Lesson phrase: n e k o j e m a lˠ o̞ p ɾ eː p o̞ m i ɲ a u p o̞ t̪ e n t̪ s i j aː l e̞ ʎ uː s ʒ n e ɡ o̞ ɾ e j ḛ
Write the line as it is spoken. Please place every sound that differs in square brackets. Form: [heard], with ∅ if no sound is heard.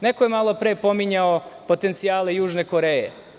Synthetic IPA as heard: n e k o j e m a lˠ o̞ p ɾ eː p o̞ m i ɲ a [o] p o̞ t̪ e n t̪ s i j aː l e̞ [j] uː [∅] ʒ n e [k] o̞ ɾ e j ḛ